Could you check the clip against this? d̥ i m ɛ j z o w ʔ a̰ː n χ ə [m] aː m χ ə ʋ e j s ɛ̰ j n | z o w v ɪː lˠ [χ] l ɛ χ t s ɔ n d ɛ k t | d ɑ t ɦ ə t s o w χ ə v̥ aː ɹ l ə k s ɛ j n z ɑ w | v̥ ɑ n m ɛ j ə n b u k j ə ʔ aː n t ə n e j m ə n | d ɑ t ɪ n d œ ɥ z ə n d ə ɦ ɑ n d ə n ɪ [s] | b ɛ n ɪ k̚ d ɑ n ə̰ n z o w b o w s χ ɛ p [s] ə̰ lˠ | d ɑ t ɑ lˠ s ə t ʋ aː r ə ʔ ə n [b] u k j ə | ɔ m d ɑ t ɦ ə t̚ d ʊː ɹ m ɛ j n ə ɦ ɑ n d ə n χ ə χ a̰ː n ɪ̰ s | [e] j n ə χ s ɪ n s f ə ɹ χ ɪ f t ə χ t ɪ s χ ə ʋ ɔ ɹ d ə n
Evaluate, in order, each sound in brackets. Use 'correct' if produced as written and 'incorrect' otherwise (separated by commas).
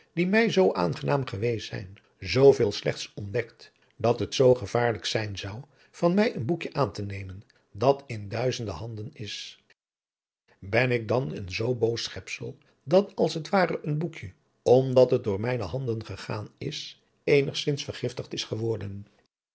incorrect, incorrect, correct, correct, correct, correct